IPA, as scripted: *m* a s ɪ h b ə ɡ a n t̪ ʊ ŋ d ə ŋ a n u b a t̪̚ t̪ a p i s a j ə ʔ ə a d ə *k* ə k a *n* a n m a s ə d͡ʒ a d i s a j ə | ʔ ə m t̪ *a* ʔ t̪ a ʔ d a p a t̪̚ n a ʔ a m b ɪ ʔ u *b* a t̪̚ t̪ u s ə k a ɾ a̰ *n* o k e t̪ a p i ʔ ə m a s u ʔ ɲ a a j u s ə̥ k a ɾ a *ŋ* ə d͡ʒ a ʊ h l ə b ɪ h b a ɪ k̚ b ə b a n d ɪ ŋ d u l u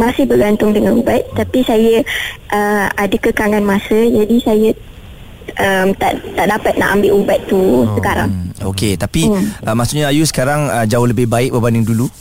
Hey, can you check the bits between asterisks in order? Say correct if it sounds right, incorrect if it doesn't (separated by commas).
correct, correct, incorrect, correct, correct, incorrect, correct